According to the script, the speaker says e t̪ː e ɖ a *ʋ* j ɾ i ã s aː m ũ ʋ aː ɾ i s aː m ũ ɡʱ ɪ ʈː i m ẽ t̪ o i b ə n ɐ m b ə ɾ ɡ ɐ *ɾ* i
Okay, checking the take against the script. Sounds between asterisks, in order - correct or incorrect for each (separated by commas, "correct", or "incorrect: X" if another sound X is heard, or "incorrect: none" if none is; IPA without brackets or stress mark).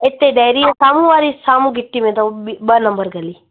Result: incorrect: none, incorrect: l